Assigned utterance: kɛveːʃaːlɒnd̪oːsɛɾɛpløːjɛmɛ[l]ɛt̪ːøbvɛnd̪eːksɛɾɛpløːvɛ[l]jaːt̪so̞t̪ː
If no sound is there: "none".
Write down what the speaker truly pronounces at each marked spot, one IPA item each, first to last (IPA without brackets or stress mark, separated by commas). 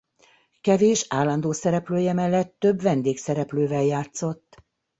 lː, l